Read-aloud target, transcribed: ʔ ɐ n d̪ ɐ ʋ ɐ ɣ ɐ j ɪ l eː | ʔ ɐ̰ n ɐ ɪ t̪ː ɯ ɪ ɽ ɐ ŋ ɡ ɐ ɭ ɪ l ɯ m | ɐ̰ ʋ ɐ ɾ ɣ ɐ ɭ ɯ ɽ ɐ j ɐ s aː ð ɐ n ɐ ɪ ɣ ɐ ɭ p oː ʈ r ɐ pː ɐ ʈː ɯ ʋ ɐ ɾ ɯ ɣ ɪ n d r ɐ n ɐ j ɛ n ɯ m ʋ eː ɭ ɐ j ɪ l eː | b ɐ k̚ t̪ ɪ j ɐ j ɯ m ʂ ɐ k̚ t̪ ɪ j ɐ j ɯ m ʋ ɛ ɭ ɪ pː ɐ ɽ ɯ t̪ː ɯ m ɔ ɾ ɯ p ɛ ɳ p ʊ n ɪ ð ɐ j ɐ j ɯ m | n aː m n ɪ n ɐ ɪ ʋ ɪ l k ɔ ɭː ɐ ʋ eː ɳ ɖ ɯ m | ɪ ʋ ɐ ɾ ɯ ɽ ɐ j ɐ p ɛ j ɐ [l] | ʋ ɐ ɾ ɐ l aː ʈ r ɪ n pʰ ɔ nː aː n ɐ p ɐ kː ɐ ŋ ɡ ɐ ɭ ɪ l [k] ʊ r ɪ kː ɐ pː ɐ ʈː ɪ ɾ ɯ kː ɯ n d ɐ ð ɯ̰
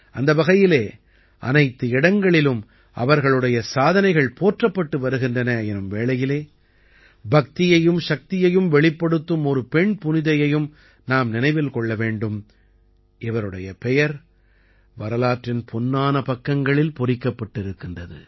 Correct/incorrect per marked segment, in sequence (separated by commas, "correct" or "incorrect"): incorrect, incorrect